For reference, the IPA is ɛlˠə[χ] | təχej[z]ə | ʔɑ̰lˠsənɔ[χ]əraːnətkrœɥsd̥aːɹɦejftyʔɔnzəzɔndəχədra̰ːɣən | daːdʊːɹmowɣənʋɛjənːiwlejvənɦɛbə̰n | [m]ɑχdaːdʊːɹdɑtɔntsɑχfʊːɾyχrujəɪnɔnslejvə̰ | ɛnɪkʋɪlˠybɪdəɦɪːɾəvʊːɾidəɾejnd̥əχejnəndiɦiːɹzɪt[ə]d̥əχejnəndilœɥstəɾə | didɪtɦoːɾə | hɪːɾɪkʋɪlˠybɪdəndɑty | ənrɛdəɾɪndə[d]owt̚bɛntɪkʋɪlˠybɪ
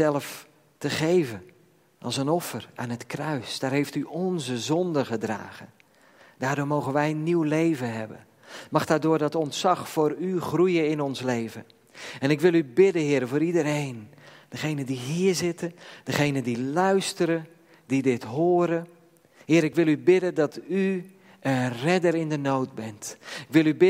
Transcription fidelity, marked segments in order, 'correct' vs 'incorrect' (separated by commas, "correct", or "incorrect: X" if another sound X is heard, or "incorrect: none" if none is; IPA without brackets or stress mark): incorrect: f, incorrect: v, incorrect: f, correct, correct, incorrect: n